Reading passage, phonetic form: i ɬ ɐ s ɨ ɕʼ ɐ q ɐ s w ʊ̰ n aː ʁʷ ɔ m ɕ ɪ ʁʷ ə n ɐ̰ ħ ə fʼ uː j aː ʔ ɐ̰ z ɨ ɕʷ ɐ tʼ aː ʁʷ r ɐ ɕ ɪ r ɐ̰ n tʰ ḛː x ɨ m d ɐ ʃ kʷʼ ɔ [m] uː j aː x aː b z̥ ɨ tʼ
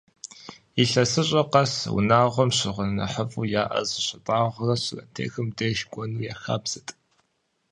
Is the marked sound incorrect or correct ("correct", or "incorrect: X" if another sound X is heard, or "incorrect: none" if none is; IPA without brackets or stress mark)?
incorrect: n